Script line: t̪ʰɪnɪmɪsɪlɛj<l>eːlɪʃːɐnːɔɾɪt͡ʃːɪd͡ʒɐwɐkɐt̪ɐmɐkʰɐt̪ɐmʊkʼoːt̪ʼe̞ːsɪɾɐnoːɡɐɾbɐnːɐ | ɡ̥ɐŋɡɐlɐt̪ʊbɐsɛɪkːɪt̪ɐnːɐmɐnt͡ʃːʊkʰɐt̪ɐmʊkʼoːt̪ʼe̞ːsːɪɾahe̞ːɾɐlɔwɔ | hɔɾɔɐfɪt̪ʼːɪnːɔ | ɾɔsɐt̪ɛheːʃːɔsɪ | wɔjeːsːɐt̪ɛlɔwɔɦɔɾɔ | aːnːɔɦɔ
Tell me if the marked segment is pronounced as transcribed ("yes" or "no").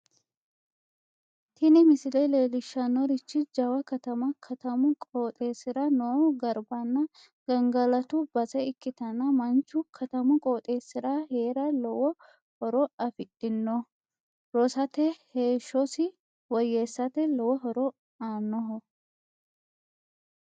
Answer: yes